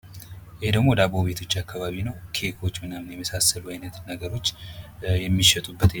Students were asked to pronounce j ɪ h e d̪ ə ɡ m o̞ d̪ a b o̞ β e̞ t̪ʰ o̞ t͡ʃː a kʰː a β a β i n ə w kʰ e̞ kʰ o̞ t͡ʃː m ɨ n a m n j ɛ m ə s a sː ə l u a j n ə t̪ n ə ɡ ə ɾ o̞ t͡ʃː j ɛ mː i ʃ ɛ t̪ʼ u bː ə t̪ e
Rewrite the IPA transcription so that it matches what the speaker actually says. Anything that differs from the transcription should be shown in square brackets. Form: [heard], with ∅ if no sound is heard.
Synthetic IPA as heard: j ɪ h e d̪ ə ɡ m o̞ d̪ a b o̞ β e̞ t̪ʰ o̞ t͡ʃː a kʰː a β a β i n ə w kʰ e̞ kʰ o̞ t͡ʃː m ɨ n a m n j ɛ m ə s a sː ə l u a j n ə t̪ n ə ɡ ə ɾ o̞ t͡ʃː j ɛ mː i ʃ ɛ t̪ʼ u bː ə t̪ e